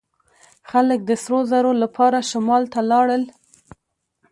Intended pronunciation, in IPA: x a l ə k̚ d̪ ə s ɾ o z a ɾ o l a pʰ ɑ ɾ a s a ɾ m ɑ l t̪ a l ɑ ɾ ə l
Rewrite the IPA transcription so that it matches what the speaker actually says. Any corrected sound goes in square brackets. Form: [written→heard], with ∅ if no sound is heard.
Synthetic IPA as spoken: x a l ə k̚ d̪ ə s ɾ o z a ɾ o l a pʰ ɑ ɾ a [s→ʃ] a [ɾ→∅] m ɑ l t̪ a l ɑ [ɾ→ɽ] ə l